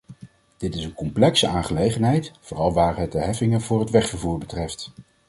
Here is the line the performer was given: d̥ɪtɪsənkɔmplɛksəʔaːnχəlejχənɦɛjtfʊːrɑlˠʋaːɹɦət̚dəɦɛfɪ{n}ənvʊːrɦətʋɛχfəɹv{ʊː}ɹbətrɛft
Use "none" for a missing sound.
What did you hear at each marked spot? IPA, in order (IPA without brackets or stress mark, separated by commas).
ŋ, uː